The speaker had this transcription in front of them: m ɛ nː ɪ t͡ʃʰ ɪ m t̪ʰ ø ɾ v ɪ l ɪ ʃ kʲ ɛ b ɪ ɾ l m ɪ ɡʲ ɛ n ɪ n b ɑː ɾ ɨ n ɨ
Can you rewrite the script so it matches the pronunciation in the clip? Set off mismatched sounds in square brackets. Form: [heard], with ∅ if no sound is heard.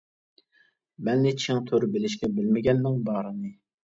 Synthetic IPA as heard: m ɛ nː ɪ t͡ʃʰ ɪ [ŋ] t̪ʰ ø ɾ [b] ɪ l ɪ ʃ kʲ ɛ b ɪ [∅] l m ɪ ɡʲ ɛ [nː] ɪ [ŋ] b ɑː ɾ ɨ n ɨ